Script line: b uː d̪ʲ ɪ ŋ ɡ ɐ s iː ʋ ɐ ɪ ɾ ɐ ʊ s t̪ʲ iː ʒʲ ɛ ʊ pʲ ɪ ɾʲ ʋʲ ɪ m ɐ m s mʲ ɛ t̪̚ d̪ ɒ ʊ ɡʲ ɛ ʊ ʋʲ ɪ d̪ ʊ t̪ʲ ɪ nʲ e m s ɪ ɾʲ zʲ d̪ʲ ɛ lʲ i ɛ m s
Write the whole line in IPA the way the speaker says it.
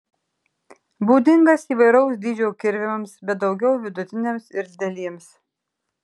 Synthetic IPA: b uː d̪ʲ ɪ ŋ ɡ ɐ s iː ʋ ɐ ɪ ɾ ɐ ʊ s d̪ʲ iː d͡ʒʲ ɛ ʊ kʲ ɪ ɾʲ ʋʲ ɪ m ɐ m s bʲ ɛ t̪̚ d̪ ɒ ʊ ɡʲ ɛ ʊ ʋʲ ɪ d̪ ʊ t̪ʲ ɪ nʲ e m s ɪ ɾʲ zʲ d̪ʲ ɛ lʲ i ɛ m s